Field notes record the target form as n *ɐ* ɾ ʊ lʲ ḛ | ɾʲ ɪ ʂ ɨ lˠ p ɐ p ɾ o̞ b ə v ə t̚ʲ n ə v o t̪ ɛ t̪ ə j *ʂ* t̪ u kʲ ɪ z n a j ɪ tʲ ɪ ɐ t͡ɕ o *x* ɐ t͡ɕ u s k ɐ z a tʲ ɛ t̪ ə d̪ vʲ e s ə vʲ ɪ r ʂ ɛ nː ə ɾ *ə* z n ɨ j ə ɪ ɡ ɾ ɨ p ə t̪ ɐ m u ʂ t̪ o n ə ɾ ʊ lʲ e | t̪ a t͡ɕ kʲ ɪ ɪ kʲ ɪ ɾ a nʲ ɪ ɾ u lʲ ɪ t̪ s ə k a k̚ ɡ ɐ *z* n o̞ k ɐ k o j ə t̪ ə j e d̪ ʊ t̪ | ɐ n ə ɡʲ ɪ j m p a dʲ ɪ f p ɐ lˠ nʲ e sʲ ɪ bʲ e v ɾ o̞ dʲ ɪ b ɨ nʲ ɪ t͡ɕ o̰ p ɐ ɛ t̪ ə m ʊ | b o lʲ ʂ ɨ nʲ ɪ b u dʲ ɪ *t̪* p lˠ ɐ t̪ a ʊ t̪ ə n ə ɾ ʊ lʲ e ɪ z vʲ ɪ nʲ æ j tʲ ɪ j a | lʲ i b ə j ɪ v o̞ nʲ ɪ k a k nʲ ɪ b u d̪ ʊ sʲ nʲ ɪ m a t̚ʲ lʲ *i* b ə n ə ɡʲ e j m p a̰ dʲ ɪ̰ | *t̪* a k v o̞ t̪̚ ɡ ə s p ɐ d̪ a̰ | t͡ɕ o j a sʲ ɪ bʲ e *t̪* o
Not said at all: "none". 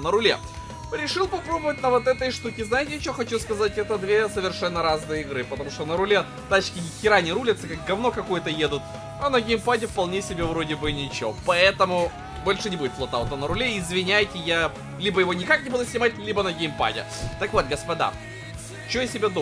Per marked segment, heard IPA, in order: ə, ʂ, x, a, v, t̪, i, t̪, d̪

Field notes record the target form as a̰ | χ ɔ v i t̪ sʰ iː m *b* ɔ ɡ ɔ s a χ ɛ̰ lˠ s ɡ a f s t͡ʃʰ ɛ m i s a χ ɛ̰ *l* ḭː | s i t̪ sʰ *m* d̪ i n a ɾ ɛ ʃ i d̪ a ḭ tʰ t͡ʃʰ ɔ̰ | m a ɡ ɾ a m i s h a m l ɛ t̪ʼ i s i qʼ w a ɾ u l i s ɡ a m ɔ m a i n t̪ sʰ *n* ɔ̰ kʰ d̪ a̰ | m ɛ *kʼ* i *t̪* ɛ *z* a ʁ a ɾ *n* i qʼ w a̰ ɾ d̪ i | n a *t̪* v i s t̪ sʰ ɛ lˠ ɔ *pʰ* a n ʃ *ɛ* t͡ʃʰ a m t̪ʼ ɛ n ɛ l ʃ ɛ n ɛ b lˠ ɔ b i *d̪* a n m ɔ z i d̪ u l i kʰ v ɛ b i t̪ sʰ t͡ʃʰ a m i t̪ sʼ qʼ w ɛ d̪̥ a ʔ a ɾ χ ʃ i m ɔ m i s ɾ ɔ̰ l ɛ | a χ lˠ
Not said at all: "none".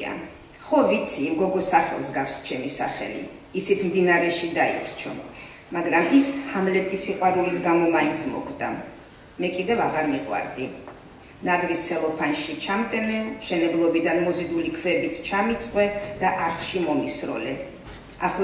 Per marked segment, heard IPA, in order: ɡ, l, m, m, kʼ, d̪, v, m, d̪, pʰ, i, d̪

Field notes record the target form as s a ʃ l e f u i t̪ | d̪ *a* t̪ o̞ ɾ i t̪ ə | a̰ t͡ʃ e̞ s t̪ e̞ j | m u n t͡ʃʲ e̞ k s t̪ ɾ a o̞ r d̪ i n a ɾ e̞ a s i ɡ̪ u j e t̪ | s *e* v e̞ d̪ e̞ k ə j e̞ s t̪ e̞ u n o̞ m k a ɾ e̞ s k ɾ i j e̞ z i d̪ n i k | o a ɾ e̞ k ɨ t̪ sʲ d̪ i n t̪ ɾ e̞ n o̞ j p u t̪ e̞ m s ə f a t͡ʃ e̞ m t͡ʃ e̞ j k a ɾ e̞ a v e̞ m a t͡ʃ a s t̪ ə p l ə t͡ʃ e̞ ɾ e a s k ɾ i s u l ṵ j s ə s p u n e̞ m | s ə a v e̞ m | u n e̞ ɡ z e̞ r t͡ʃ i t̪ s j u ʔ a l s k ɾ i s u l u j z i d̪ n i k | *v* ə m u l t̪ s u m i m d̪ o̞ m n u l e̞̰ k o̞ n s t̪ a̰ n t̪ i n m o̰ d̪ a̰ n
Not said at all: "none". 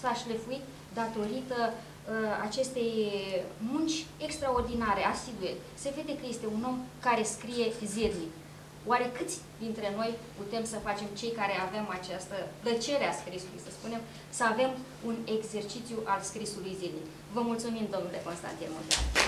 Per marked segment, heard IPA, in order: a, e, v

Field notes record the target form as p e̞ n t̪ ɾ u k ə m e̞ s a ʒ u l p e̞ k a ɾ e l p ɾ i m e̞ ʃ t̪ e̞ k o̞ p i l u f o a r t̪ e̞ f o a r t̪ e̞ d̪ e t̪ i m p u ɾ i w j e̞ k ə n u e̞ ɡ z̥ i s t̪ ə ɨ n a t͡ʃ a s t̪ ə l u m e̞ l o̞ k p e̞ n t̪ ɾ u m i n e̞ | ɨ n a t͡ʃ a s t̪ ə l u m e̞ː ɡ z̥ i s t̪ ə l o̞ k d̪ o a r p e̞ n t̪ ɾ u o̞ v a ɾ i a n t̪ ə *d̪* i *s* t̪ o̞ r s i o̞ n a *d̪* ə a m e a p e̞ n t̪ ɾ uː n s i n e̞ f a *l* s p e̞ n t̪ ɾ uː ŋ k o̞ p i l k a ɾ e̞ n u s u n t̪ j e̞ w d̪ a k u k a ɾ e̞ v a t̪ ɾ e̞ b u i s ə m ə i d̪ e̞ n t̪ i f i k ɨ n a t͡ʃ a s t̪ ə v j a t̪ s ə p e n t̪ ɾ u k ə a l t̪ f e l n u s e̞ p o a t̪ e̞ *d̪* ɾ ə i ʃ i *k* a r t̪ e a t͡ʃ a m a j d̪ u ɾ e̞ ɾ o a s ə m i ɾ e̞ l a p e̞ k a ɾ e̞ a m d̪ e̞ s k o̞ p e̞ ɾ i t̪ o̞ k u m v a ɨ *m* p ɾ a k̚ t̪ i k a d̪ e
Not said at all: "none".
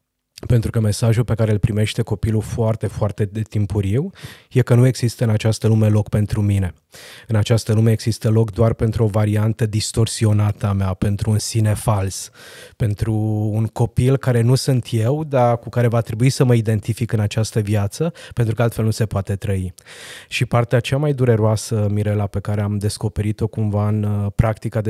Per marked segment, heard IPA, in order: d̪, s, t̪, l, t̪, p, n

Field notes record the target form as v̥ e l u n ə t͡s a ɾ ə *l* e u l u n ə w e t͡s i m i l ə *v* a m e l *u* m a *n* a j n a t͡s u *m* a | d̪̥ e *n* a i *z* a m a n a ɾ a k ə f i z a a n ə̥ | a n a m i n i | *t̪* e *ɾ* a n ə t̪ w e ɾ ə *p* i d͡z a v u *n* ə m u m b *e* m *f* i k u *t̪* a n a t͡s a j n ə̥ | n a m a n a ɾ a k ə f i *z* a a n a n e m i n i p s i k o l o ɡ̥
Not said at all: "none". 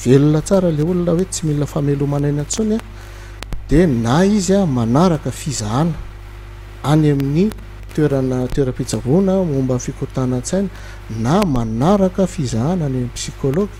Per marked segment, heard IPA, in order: l, f, u, n, n, n, z, t̪, ɾ, p, n, a, f, t̪, z

